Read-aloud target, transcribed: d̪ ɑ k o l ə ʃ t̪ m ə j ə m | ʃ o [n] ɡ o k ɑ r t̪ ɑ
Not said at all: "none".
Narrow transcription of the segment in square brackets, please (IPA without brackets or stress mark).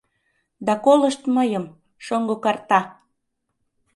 ŋ